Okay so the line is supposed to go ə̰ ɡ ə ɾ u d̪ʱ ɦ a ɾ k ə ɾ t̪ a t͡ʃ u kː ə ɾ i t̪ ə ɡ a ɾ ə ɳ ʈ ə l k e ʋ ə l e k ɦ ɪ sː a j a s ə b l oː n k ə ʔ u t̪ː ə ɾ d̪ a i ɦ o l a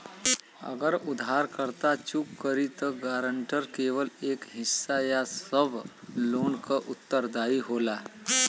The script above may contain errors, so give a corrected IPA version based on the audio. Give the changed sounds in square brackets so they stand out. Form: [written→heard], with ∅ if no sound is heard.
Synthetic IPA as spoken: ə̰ ɡ ə ɾ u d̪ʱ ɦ a ɾ k ə ɾ t̪ a t͡ʃ u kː ə ɾ i t̪ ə ɡ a ɾ ə ɳ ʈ ə [l→ɾ] k e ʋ ə l e k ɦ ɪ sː a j a s ə b l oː n k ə ʔ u t̪ː ə ɾ d̪ a i ɦ o l a